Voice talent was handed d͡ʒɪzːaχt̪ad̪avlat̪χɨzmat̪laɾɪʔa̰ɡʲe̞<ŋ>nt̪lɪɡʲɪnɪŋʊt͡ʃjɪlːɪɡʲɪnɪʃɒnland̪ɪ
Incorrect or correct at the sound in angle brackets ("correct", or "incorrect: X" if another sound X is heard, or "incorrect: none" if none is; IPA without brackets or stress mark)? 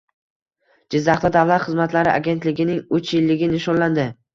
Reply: incorrect: none